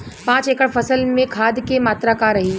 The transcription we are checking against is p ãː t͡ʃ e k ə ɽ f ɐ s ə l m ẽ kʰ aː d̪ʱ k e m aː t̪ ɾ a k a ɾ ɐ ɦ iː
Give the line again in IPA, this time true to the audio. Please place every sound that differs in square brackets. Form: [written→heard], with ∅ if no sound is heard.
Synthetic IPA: p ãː t͡ʃ e k ə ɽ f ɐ s ə l m ẽ kʰ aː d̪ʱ k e m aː t̪ ɾ a k a ɾ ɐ ɦ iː